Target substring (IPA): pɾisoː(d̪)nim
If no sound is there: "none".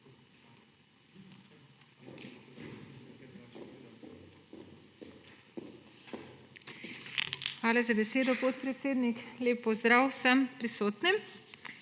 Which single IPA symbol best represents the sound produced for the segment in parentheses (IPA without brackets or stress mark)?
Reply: t̪